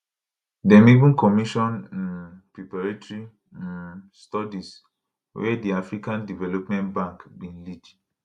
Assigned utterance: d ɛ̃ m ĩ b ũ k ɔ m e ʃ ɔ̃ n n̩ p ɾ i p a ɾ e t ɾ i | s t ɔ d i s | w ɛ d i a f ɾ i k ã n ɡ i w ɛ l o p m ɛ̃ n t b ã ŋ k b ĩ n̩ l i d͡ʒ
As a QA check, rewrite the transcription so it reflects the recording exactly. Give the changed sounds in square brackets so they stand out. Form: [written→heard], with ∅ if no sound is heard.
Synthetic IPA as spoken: d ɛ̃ m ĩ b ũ k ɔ m [e→i] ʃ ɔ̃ n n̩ p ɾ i p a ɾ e t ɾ i | s t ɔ d i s | w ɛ d i a f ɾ i k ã n [ɡ→d] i [w→v] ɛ l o p m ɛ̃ n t b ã ŋ k b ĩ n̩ l i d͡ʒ

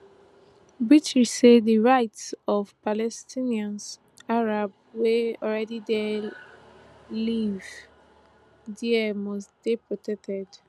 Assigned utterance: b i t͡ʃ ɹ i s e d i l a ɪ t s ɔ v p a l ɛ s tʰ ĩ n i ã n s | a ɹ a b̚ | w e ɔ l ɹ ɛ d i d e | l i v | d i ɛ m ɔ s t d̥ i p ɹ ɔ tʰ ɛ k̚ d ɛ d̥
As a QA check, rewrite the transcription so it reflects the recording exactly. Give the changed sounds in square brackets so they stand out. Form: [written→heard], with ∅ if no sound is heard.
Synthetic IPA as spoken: b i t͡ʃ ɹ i s e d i [l→ɹ] a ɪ t s ɔ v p a l ɛ s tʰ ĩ n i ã n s | a ɹ a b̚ | w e ɔ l ɹ ɛ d i d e | l i v | d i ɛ m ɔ s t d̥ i p ɹ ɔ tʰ ɛ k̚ [d→t] ɛ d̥

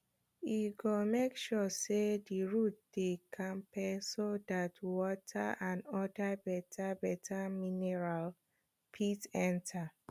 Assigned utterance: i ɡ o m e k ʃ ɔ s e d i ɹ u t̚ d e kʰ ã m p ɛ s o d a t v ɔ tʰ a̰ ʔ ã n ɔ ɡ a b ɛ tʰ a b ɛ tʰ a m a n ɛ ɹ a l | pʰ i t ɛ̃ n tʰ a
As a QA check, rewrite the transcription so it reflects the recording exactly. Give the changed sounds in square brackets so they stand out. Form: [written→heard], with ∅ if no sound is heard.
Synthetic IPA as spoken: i ɡ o m e k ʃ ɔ s e d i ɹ u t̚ d e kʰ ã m p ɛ s o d a t [v→w] ɔ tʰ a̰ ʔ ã n ɔ [ɡ→d] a b ɛ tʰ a b ɛ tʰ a m [a→i] n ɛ ɹ a l | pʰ i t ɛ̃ n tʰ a

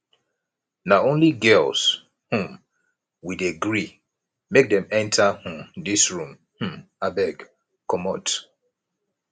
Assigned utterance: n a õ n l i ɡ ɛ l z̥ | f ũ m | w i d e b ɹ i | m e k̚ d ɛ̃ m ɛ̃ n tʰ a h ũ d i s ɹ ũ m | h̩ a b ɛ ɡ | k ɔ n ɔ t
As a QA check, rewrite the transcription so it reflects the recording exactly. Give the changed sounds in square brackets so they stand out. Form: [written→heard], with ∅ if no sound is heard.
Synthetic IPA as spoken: n a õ n l i ɡ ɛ l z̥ | [f→h] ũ m | w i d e [b→ɡ] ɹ i | m e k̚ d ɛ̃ m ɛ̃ n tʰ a h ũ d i s ɹ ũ m | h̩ a b ɛ ɡ | k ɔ [n→m] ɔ t

